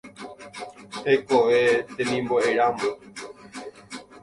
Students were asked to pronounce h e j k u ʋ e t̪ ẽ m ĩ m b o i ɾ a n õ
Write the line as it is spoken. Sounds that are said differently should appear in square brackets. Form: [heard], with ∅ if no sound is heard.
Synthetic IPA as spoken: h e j k [o] ʋ e t̪ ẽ m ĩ m b o [e] ɾ a [m] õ